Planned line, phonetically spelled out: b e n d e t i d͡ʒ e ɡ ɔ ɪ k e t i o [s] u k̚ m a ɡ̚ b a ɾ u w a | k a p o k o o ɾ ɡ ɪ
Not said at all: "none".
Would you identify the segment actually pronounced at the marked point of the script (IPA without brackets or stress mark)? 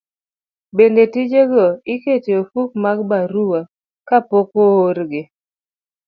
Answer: f